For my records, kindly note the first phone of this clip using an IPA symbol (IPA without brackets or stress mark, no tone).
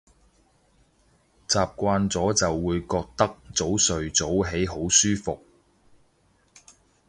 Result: t͡s